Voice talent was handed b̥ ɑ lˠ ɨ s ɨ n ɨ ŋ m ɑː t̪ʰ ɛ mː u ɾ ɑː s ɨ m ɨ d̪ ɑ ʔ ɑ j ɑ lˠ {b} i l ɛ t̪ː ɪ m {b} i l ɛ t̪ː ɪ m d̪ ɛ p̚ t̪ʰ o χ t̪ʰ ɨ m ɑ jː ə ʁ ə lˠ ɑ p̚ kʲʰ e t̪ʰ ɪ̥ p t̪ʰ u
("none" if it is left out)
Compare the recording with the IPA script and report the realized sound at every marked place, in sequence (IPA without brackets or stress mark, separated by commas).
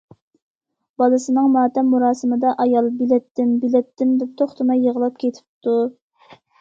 b, b